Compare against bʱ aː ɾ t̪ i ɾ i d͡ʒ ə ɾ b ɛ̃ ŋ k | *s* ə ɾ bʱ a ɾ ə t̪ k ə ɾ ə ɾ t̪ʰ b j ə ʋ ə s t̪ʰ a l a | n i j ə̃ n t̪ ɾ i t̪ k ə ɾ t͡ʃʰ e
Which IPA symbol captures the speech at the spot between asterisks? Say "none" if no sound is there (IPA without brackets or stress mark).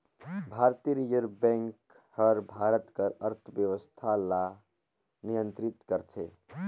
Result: h